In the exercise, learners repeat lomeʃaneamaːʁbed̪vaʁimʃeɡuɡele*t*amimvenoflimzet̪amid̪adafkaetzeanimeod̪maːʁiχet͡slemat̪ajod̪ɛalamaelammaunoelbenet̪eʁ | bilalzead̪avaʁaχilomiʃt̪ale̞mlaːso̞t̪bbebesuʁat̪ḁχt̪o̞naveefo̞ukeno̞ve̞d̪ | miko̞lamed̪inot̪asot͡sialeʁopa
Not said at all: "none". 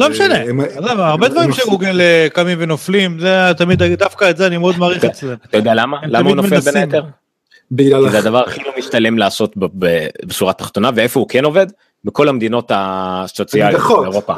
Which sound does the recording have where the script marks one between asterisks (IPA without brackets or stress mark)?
k